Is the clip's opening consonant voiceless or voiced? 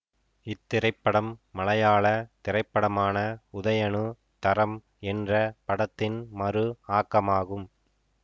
voiceless